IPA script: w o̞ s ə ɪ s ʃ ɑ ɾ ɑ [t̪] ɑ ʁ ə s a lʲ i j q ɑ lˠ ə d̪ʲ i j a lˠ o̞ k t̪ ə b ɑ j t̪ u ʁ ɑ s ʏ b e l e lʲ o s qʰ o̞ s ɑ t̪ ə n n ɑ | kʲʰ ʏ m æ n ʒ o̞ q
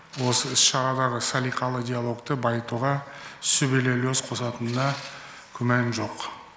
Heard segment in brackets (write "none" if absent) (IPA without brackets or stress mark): d̪